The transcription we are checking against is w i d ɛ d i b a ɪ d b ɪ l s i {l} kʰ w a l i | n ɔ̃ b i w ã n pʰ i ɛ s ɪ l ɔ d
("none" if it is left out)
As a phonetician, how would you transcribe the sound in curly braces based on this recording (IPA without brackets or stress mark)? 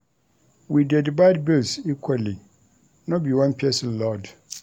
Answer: none